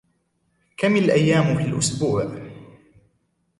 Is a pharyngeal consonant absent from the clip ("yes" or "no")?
no